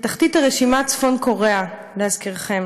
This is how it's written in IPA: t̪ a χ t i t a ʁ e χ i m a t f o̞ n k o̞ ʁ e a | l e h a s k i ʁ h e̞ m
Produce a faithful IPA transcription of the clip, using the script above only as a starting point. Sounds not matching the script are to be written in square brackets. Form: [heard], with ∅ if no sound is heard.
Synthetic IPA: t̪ a χ t i t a ʁ e [ʃ] i m a [t͡s] f o̞ n k o̞ ʁ e a | l e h a [z] k i ʁ [χ] e̞ m